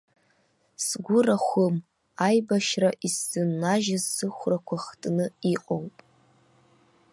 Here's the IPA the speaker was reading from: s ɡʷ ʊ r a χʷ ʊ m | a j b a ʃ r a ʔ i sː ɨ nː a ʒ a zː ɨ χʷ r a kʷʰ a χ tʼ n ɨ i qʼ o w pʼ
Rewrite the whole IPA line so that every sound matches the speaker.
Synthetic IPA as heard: s ɡʷ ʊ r a χʷ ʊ m | a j b a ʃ r a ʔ i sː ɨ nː a ʒ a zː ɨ χʷ r a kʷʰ a χ tʼ n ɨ i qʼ o w pʼ